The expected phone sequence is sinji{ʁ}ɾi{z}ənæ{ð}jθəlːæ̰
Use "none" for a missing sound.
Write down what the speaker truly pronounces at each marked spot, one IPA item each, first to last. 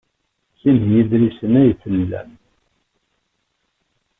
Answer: ð, s, none

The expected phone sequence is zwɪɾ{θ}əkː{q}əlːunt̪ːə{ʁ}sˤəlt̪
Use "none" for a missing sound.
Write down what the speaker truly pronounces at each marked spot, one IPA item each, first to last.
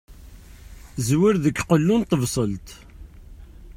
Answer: ð, q, v

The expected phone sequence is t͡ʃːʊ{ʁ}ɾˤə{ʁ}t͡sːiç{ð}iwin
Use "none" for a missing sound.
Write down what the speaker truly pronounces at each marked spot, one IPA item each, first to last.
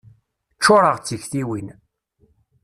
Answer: none, ʁ, θ

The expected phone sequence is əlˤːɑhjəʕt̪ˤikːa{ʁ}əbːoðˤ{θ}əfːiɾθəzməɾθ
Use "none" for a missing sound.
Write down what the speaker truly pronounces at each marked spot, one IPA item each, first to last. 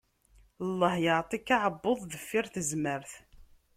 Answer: ʕ, ð

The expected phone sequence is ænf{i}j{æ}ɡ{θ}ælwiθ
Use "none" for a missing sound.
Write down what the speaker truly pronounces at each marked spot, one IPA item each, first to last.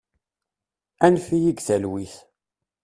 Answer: i, i, θ

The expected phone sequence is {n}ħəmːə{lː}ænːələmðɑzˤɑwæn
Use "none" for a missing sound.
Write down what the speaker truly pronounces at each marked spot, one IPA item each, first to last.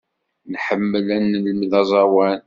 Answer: n, l

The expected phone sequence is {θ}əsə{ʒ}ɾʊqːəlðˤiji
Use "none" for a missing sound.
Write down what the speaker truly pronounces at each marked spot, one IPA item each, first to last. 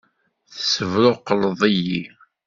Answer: θ, v

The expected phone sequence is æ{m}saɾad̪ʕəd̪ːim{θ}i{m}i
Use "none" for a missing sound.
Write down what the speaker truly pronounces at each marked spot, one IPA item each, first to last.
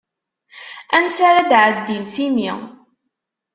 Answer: n, s, m

